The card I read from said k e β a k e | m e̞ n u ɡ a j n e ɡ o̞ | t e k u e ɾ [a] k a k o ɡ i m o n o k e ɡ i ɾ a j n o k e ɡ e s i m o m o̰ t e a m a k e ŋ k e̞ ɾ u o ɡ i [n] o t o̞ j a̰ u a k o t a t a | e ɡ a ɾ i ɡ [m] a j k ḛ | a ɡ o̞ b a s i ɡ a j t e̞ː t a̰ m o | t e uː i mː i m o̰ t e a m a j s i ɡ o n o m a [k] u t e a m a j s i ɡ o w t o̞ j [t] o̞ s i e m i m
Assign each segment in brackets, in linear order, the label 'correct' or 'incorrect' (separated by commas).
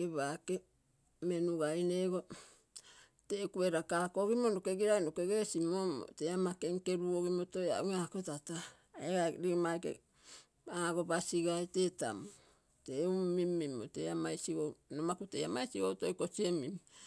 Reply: correct, incorrect, correct, correct, incorrect